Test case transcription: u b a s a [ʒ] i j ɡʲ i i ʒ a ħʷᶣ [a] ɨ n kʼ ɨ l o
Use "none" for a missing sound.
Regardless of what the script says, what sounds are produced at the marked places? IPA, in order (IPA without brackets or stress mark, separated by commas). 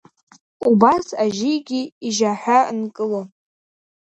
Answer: ʒ, a